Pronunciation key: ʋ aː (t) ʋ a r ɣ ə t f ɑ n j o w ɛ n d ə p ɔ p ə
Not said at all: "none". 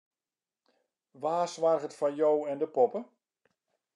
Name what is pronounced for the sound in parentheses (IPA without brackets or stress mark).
s